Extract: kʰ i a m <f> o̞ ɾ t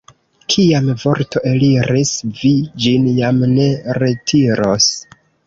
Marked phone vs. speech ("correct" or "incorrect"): incorrect